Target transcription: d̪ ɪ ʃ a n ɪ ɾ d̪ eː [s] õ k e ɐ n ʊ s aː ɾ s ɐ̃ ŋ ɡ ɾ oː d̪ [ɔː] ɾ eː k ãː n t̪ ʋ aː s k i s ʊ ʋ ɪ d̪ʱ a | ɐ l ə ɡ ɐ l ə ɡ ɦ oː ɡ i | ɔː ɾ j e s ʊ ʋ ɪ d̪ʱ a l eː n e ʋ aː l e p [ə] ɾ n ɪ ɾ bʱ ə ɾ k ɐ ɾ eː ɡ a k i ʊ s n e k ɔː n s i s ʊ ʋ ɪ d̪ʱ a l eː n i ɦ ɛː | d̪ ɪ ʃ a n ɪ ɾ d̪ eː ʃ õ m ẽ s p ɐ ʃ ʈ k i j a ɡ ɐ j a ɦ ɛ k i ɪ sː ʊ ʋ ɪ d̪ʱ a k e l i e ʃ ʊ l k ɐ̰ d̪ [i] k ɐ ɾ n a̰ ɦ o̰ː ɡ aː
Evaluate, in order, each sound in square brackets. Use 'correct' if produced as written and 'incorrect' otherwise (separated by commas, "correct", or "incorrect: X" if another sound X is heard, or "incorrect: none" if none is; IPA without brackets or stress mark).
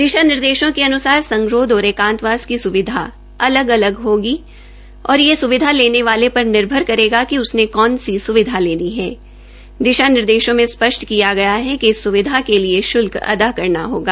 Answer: incorrect: ʃ, correct, incorrect: ɐ, incorrect: a